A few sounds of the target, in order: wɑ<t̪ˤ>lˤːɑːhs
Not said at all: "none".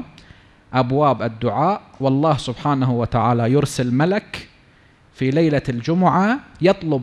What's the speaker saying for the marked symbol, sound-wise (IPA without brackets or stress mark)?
none